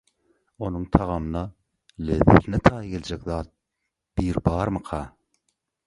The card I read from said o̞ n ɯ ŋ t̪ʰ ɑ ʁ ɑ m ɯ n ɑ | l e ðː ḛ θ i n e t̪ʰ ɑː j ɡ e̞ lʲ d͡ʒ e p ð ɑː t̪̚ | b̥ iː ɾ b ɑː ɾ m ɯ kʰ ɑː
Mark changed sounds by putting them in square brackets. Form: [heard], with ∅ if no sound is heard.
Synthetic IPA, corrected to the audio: o̞ n [u] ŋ t̪ʰ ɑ ʁ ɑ m ɯ n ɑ | l e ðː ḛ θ i n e t̪ʰ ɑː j ɡ e̞ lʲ d͡ʒ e [k] ð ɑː t̪̚ | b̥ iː ɾ b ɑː ɾ m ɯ [qʰ] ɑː